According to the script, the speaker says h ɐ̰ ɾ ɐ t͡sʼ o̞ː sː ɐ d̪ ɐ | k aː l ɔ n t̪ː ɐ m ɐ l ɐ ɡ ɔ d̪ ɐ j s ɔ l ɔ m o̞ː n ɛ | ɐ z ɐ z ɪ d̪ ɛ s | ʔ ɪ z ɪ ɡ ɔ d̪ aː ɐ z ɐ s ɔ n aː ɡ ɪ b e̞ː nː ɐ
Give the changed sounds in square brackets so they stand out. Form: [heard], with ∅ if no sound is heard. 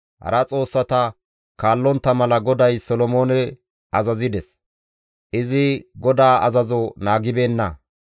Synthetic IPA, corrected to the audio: h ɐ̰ ɾ ɐ t͡sʼ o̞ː sː ɐ [t̪] ɐ | k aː [lː] ɔ n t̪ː ɐ m ɐ l ɐ ɡ ɔ d̪ ɐ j s ɔ l ɔ m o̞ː n ɛ | ɐ z ɐ z ɪ d̪ ɛ s | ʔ ɪ z ɪ ɡ ɔ d̪ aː ɐ z ɐ [z] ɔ n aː ɡ ɪ b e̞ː nː ɐ